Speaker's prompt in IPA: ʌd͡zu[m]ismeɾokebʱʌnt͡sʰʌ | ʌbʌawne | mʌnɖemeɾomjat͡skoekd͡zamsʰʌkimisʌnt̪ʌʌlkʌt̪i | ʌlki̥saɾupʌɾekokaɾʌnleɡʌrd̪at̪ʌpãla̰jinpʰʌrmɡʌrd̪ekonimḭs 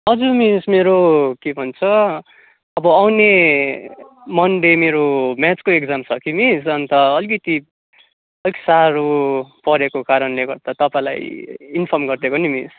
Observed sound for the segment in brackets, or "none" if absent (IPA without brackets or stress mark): m